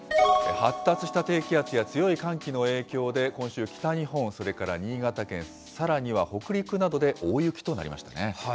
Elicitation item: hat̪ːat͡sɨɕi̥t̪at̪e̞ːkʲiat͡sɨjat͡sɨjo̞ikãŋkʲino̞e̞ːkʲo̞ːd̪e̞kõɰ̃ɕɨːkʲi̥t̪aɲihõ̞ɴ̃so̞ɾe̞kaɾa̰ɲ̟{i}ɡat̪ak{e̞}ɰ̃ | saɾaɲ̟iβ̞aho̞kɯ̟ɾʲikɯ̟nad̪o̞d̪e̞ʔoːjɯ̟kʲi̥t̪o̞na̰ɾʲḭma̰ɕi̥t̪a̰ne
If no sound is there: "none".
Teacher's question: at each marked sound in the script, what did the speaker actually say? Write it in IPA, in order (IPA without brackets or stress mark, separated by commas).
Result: iː, ẽ̞